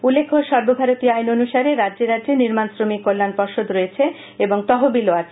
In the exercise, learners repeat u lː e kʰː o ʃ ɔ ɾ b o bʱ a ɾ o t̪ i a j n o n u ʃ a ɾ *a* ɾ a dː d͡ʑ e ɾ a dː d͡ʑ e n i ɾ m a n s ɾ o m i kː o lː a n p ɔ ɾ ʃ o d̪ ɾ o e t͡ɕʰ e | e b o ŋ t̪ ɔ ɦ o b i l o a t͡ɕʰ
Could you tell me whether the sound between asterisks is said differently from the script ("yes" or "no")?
yes